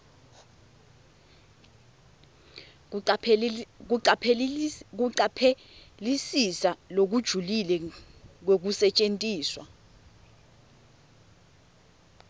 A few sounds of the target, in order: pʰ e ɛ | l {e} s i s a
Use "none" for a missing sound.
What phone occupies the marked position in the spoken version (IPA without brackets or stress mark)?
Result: i